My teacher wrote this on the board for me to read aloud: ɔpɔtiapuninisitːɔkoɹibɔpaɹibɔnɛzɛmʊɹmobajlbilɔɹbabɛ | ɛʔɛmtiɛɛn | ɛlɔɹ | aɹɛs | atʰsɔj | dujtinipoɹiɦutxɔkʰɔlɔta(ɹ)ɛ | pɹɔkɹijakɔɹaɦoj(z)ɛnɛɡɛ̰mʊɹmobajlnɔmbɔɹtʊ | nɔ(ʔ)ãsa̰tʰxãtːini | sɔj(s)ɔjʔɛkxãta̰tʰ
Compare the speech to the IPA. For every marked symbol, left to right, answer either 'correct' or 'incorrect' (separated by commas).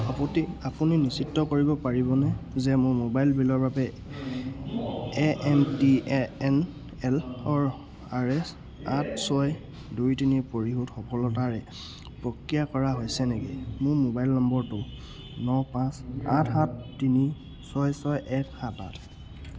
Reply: correct, incorrect, incorrect, correct